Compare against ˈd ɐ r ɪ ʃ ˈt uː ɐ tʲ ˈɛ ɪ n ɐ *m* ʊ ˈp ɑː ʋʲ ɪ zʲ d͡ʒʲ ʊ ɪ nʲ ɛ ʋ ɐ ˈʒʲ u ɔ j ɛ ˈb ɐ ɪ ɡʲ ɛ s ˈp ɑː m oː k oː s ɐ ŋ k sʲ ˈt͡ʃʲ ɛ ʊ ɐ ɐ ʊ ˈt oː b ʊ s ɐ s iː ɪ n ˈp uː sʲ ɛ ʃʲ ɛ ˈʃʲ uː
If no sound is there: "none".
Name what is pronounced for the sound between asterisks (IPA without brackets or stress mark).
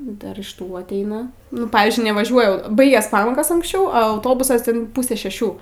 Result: n